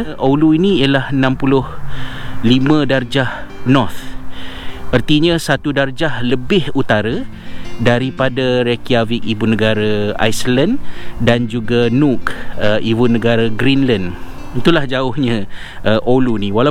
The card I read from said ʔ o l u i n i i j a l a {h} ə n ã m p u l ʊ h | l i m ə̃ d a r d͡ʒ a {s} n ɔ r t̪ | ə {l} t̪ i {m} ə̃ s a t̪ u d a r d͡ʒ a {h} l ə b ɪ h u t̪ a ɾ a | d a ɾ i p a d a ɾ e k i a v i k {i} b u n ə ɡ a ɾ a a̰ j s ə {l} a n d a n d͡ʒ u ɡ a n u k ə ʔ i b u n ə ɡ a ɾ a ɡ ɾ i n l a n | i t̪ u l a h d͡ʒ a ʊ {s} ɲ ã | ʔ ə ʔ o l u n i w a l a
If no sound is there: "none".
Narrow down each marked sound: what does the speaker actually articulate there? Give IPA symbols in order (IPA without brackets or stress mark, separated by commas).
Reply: h, h, r, ɲ, h, i, l, h